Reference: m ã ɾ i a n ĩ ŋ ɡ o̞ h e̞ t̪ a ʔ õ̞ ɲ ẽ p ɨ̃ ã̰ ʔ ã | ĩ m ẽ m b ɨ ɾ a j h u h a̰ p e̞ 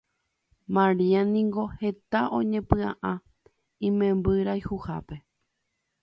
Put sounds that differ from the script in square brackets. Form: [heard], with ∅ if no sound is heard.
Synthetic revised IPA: m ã ɾ i a n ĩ ŋ ɡ o̞ h e̞ t̪ a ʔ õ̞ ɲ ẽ p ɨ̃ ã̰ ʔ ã | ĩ m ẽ m b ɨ ɾ a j h u h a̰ p e̞